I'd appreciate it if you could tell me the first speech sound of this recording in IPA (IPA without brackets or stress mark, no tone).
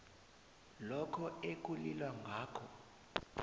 l